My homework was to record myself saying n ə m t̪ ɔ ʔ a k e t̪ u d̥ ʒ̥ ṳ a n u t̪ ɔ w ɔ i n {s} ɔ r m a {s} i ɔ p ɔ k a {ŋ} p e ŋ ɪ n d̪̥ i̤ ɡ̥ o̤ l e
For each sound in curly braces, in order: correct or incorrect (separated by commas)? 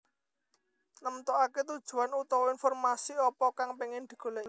incorrect, correct, correct